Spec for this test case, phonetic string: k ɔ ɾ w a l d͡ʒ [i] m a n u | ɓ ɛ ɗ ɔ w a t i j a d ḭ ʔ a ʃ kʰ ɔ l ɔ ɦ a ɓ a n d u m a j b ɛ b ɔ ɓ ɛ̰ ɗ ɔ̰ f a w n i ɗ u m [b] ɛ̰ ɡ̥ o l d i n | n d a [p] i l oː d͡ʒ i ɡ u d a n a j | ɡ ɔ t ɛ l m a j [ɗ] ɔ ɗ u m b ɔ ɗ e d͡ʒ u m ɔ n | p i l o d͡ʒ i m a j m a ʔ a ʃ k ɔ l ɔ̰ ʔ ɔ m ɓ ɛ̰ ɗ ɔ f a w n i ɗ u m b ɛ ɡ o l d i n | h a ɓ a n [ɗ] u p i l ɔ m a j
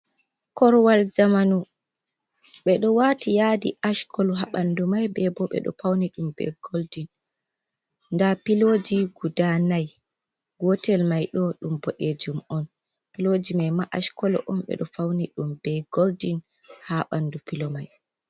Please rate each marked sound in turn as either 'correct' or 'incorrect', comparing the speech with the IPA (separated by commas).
incorrect, correct, correct, correct, incorrect